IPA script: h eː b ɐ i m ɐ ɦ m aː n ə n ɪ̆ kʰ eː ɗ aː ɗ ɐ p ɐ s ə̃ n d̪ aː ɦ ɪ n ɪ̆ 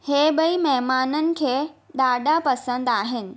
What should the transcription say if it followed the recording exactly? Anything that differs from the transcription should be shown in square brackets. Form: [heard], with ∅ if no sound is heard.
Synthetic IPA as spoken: h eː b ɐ i m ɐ ɦ m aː n ə n ɪ̆ kʰ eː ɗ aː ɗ [a] p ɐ s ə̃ n d̪ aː ɦ ɪ n ɪ̆